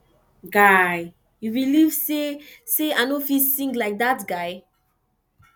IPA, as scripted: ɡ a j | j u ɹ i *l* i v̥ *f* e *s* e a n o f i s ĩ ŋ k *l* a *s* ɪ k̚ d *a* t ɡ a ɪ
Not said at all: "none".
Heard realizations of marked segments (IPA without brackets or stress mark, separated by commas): l, s, s, l, none, a